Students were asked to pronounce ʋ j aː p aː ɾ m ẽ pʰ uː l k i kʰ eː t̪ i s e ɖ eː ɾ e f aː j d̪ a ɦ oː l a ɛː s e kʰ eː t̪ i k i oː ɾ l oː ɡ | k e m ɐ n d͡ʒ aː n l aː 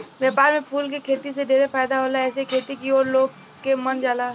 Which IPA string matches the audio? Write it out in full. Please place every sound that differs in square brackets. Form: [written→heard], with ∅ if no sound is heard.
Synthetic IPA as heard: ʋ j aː p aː ɾ m ẽ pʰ uː l k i kʰ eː t̪ i s e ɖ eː ɾ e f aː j d̪ a ɦ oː l a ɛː s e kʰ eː t̪ i k i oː ɾ l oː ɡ | k e m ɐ n d͡ʒ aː [n→∅] l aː